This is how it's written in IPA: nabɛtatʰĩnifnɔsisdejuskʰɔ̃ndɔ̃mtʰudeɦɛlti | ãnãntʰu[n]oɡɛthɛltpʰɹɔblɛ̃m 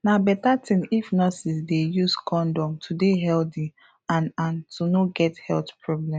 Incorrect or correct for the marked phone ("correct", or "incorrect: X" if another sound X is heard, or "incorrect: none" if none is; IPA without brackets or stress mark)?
correct